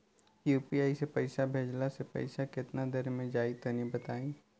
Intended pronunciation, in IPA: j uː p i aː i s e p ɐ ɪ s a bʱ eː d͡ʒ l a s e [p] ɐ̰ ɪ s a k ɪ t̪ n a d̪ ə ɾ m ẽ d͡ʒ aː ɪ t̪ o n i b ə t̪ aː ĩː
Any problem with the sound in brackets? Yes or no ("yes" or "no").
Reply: no